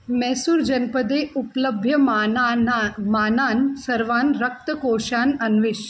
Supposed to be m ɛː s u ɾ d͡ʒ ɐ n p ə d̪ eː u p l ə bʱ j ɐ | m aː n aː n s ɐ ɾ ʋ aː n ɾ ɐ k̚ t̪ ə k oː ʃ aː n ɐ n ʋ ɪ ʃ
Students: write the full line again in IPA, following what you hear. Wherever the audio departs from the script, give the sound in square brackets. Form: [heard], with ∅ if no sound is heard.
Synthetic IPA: m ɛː s u ɾ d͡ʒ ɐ n p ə d̪ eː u p l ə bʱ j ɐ | m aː n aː n s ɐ ɾ ʋ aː n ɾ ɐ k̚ t̪ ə k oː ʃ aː n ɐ n ʋ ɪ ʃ